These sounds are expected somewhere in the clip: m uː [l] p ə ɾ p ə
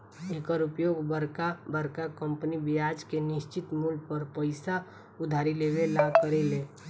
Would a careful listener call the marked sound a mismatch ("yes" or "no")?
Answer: no